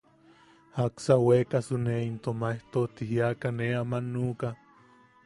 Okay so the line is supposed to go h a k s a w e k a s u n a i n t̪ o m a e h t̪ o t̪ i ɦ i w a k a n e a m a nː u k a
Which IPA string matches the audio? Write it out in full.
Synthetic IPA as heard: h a k s a w e k a s u n e i n t̪ o m a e h t̪ o t̪ i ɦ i a k a n e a m a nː u k a

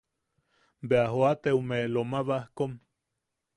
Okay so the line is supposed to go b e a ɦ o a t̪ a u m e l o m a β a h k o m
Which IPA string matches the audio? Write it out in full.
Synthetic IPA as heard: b e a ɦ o a t̪ e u m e l o m a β a h k o m

